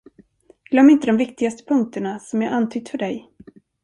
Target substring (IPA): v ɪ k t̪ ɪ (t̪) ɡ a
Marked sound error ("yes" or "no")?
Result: yes